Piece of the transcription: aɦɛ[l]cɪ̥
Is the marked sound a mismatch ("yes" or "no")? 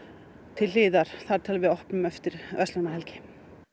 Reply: no